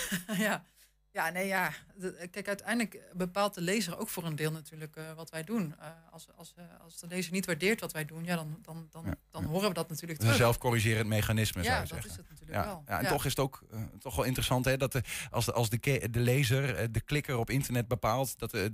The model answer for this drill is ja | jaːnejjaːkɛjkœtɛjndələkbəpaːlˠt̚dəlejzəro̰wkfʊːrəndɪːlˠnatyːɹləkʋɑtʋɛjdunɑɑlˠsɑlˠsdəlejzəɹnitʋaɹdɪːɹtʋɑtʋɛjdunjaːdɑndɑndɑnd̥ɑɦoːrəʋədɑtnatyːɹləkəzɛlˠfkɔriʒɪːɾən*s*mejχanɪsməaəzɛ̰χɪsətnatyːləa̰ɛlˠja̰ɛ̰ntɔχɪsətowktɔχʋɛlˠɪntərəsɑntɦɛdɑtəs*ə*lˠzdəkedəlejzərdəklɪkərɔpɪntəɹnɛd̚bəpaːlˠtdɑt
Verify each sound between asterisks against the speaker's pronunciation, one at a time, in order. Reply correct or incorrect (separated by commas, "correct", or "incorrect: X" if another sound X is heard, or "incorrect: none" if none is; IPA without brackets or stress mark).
incorrect: t, incorrect: ɑ